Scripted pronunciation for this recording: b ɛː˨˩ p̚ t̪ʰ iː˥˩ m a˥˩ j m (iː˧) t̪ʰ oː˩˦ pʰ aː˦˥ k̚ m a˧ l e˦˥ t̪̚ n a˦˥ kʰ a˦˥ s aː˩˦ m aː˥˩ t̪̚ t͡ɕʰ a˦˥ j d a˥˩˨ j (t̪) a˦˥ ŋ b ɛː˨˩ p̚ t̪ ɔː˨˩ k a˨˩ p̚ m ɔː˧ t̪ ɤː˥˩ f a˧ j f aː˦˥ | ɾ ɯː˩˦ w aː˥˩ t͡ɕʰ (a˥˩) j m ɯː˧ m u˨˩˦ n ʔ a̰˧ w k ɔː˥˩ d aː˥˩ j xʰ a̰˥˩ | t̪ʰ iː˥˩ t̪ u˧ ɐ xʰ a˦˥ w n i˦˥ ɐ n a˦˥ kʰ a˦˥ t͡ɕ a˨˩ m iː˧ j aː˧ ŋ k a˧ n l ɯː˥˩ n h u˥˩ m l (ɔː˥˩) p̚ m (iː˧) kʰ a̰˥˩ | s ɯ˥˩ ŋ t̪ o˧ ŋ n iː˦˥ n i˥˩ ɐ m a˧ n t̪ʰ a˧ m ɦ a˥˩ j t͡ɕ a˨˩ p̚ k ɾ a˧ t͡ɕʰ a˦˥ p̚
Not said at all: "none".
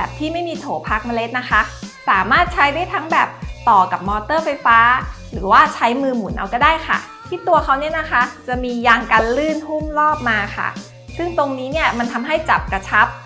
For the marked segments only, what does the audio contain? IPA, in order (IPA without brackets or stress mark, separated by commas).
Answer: iː˧, t̪ʰ, a˦˥, ɔː˥˩, aː˧